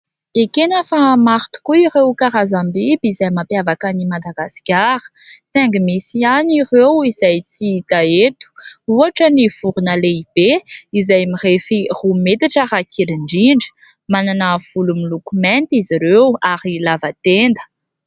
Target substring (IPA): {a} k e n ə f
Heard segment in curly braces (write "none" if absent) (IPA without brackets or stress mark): e